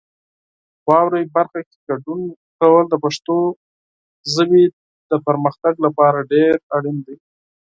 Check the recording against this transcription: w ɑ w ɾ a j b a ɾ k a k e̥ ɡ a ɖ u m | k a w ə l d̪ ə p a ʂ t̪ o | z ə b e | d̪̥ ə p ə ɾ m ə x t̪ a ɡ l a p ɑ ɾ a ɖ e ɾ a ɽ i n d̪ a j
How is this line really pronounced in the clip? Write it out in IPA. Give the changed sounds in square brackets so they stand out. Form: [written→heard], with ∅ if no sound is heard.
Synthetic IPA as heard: w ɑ w ɾ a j b a ɾ [k→x] a k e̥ ɡ a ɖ u [m→n] | k a w ə l d̪ ə p a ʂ t̪ o | z ə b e | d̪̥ ə p ə ɾ m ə x t̪ a ɡ l a p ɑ ɾ a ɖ e ɾ a ɽ i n d̪ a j